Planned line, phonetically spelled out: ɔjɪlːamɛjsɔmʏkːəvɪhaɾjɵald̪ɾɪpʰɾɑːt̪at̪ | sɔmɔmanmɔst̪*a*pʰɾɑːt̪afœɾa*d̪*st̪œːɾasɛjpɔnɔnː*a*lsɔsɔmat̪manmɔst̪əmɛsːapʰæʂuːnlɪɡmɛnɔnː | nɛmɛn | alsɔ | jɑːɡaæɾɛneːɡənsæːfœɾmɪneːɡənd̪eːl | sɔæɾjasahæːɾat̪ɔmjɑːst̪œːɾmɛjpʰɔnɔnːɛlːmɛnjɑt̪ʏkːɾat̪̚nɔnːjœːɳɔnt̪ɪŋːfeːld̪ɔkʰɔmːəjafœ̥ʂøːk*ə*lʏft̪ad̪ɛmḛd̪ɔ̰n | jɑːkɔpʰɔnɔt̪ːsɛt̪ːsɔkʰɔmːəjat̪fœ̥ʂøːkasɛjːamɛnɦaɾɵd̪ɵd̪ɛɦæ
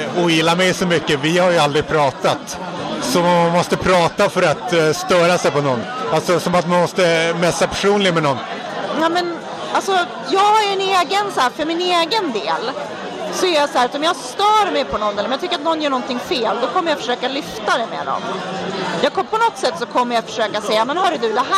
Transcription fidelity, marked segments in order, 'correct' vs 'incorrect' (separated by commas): incorrect, incorrect, correct, incorrect